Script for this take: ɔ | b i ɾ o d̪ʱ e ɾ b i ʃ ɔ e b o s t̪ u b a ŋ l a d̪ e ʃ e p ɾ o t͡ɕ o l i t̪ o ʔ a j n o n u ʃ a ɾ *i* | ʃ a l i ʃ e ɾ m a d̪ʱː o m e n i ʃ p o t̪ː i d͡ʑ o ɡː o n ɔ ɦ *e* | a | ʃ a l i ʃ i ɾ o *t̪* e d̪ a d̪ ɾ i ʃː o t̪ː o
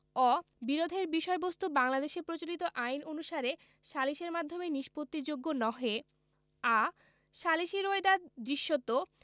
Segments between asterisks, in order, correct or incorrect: incorrect: e, correct, incorrect: none

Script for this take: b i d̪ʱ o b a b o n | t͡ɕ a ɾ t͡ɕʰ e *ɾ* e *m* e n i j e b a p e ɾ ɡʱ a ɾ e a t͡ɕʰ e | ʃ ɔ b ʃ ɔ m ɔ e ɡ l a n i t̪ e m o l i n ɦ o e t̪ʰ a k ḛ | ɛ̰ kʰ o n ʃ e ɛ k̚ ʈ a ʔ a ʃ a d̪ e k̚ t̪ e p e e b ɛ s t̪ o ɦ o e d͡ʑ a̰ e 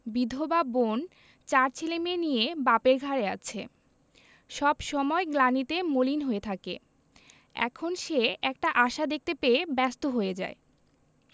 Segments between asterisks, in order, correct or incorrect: incorrect: l, correct

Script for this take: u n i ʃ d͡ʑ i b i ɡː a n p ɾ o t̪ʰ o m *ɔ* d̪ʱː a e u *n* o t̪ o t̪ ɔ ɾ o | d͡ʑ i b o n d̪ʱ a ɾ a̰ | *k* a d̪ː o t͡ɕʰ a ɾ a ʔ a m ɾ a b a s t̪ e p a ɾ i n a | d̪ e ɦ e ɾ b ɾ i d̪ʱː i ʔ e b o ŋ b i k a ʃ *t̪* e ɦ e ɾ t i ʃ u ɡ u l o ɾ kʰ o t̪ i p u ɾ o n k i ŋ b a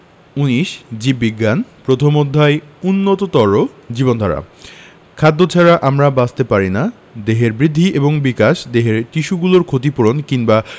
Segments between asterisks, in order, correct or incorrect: incorrect: o, incorrect: nː, incorrect: kʰ, incorrect: d̪

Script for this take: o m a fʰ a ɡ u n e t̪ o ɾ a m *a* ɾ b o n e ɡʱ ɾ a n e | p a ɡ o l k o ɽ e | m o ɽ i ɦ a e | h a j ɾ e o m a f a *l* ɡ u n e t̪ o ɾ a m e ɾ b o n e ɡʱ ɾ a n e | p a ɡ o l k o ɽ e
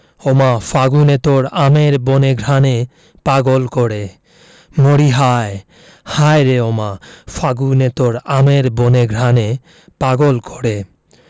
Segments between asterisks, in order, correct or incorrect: incorrect: e, incorrect: none

